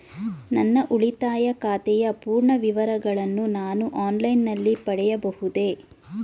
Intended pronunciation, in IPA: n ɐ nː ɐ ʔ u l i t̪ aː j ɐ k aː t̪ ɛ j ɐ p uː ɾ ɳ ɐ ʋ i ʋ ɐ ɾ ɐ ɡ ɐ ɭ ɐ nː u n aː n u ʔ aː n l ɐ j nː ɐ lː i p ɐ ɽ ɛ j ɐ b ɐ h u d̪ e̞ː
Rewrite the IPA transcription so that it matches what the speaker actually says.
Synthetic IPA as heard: n ɐ nː ɐ ʔ u ɭ i t̪ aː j ɐ k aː t̪ ɛ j ɐ p uː ɾ ɳ ɐ ʋ i ʋ ɐ ɾ ɐ ɡ ɐ ɭ ɐ nː u n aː n u ʔ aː n l ɐ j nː ɐ lː i p ɐ ɽ ɛ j ɐ b ɐ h u d̪ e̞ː